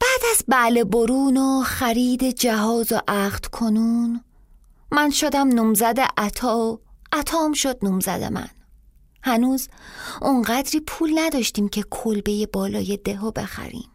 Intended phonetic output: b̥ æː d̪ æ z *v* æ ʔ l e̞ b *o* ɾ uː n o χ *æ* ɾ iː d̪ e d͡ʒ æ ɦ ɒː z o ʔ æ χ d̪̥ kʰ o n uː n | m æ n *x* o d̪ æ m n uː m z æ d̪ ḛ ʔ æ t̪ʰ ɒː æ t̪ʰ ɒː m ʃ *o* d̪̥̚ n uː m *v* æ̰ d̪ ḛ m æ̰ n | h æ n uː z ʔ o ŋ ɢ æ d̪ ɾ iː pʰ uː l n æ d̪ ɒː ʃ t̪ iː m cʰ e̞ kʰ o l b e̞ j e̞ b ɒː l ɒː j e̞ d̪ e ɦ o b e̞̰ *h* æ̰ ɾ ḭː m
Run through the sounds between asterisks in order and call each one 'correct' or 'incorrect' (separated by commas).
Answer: incorrect, correct, correct, incorrect, correct, incorrect, incorrect